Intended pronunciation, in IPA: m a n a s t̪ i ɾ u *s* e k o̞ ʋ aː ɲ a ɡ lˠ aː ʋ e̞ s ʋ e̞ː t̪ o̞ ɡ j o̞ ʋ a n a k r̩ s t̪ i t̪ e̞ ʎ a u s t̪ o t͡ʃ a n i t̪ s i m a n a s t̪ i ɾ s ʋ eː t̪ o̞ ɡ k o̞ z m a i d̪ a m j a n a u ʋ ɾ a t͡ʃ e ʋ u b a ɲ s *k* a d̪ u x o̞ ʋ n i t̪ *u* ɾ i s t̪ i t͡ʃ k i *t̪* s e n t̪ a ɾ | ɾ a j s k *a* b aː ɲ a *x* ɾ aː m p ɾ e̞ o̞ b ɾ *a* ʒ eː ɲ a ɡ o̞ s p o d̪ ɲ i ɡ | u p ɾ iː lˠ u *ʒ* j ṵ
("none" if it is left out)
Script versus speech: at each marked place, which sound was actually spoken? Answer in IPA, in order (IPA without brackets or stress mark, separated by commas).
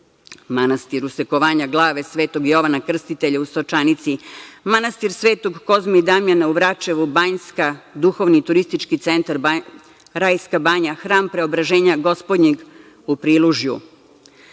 s, k, u, t̪, a, x, a, ʒ